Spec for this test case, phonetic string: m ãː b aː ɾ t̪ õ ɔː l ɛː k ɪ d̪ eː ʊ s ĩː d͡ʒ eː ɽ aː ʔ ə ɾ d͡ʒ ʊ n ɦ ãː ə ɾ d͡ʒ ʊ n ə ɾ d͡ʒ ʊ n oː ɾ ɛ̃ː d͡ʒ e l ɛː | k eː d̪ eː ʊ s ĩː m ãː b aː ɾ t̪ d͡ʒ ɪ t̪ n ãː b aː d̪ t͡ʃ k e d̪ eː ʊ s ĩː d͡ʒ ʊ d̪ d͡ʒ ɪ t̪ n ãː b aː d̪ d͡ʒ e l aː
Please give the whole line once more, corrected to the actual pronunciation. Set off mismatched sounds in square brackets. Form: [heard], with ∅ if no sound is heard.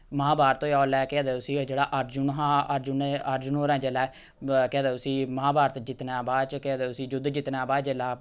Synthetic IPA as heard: m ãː b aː ɾ t̪ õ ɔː l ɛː k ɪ d̪ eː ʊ s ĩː d͡ʒ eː ɽ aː ʔ ə ɾ d͡ʒ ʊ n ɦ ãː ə ɾ d͡ʒ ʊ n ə ɾ d͡ʒ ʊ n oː ɾ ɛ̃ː d͡ʒ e l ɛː | k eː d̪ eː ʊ s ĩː m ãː b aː ɾ t̪ d͡ʒ ɪ t̪ n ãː b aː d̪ t͡ʃ k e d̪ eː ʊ s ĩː d͡ʒ ʊ d̪ d͡ʒ ɪ t̪ n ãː b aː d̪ d͡ʒ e l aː